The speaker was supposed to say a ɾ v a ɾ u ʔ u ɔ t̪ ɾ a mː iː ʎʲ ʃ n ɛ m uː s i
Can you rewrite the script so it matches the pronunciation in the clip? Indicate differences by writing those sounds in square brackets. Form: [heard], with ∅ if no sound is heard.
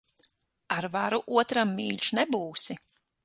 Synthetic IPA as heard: a ɾ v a ɾ u ʔ u ɔ t̪ ɾ a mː iː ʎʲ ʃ n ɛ [b] uː s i